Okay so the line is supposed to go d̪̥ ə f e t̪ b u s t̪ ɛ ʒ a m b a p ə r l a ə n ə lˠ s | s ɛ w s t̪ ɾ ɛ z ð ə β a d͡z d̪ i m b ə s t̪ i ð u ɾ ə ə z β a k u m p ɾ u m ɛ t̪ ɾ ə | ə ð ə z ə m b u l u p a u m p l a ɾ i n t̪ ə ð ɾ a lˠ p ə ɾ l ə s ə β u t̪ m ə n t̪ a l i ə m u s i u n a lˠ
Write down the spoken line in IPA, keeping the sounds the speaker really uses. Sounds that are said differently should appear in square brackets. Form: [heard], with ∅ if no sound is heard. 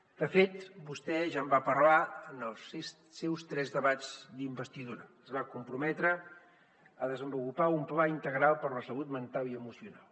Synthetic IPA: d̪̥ ə f e t̪ b u s t̪ ɛ ʒ a m b a p ə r l a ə n ə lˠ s | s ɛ w s t̪ ɾ ɛ z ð ə β a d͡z d̪ i m b ə s t̪ i ð u ɾ ə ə z β a k u m p ɾ u m ɛ t̪ ɾ ə | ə ð ə z ə m b u l u p a u m p l a [∅] i n t̪ ə [ɣ] ɾ a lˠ p ə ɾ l ə s ə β u t̪ m ə n t̪ a l i ə m u s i u n a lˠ

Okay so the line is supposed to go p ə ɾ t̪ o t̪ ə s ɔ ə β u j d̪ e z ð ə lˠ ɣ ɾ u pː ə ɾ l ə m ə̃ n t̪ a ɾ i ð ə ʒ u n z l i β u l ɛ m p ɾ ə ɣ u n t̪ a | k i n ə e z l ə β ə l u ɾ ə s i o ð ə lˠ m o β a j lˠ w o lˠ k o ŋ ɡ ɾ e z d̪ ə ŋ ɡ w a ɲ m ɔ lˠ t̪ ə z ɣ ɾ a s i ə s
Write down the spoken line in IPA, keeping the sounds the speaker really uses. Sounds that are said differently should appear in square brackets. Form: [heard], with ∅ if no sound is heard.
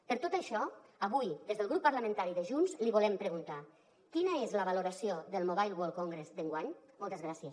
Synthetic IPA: p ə ɾ t̪ o t̪ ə [ʃ] ɔ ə β u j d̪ e z ð ə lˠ ɣ ɾ u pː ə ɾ l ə m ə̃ n t̪ a ɾ i ð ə ʒ u n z l i β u l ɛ m p ɾ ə ɣ u n t̪ a | k i n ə e z l ə β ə l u ɾ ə s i o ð ə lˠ m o β a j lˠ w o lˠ k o ŋ ɡ ɾ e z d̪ ə ŋ ɡ w a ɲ m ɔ lˠ t̪ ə z ɣ ɾ a s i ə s

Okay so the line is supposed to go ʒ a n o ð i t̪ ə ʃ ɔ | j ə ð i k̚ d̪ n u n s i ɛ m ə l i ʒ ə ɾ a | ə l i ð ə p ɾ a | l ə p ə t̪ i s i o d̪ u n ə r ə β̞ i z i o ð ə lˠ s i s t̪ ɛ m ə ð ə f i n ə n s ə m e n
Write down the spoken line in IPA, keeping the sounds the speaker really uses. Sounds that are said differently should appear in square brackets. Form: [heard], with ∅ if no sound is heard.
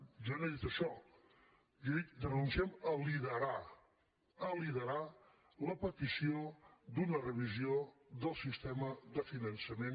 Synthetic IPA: ʒ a n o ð i t̪ ə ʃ ɔ | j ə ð i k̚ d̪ n u n s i ɛ m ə l i [ð] ə ɾ a | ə l i ð ə [∅] ɾ a | l ə p ə t̪ i s i o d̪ u n ə r ə β̞ i z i o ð ə lˠ s i s t̪ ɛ m ə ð ə f i n ə n s ə m e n

